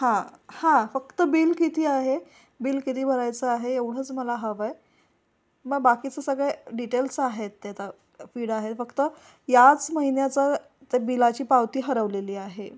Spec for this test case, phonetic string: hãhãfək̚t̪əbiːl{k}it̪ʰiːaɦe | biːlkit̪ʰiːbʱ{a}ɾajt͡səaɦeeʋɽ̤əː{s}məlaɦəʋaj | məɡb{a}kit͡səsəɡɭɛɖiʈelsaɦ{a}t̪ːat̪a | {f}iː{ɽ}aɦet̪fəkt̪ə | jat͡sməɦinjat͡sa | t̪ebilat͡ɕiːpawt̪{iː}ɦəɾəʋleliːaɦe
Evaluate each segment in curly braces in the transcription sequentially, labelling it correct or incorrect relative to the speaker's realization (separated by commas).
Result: correct, incorrect, incorrect, correct, incorrect, correct, correct, correct